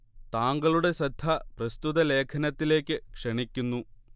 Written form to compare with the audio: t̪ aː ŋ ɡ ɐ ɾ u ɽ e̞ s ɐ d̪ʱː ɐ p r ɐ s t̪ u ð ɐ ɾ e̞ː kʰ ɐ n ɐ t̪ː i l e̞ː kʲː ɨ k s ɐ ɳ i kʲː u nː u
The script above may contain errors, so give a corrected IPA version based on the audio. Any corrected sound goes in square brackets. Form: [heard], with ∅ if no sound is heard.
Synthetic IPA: t̪ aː ŋ ɡ ɐ [ɭ] u ɽ e̞ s ɐ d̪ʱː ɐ p r ɐ s t̪ u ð ɐ [l] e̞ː kʰ ɐ n ɐ t̪ː i l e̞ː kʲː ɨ k [ʂ] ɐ ɳ i kʲː u nː u